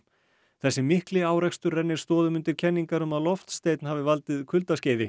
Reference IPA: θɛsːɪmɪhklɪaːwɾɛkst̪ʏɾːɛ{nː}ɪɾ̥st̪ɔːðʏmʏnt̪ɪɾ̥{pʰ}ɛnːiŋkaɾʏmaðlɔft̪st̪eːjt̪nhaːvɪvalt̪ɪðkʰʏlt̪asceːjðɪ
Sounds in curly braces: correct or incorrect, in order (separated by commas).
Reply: correct, incorrect